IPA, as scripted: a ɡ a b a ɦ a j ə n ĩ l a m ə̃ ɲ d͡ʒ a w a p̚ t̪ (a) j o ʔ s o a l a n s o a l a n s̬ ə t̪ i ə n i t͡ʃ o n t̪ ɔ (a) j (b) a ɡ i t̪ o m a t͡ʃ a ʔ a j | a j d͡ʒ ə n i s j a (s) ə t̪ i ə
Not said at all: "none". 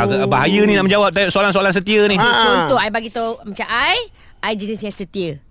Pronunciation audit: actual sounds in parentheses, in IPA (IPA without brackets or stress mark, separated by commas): a, a, b, s